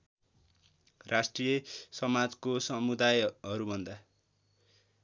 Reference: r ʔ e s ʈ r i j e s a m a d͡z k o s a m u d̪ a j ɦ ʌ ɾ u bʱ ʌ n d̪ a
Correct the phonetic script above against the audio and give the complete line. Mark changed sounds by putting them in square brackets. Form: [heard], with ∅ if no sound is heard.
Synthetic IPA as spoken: r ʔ [a] s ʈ r i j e s [ʌ] m a d͡z k o s [ʌ] m u d̪ a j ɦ ʌ ɾ u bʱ ʌ n d̪ a